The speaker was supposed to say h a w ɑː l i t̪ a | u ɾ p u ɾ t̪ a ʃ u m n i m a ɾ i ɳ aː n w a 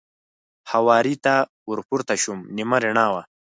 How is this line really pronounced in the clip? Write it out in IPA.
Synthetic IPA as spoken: h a w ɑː ɾ i t̪ a | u ɾ p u ɾ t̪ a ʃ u m n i m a ɾ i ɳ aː w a